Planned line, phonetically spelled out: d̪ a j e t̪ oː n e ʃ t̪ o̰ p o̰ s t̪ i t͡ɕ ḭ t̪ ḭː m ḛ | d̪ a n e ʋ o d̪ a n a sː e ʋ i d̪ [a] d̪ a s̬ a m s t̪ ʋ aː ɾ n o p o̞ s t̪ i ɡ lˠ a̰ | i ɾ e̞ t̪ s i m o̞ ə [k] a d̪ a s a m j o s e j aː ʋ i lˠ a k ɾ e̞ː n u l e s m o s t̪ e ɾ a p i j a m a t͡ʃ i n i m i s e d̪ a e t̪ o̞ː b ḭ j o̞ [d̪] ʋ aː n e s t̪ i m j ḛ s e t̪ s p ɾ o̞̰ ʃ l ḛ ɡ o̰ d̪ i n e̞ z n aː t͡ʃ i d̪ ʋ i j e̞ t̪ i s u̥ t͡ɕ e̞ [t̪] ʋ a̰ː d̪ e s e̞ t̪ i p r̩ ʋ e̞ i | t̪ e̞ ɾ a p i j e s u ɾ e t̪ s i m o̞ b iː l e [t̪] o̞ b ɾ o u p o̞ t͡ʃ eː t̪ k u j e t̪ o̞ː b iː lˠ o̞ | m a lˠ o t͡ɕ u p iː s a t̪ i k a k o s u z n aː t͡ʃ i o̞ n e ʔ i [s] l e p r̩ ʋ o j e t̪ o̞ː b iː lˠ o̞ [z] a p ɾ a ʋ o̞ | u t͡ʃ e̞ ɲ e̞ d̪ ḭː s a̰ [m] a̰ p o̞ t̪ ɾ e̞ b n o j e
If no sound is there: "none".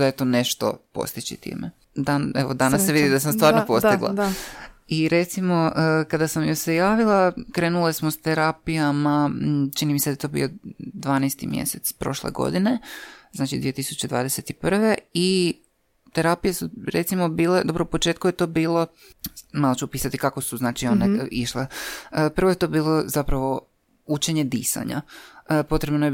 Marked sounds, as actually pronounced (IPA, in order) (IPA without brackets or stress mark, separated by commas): i, k, d̪, d̪, d̪, ʃ, z, ɲ